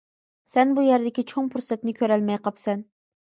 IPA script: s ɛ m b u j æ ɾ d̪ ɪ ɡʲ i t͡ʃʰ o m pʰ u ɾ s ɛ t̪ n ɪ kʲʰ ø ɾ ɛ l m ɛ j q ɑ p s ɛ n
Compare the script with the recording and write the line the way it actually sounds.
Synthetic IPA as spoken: s ɛ n b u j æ ɾ d̪ ɪ kʲ i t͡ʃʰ o ŋ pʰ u ɾ s ɛ t̪ n ɪ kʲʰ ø ɾ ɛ l m ɛ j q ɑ p s ɛ n